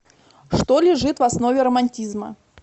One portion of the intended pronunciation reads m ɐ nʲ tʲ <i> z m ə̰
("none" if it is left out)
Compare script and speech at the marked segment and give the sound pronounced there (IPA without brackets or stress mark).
i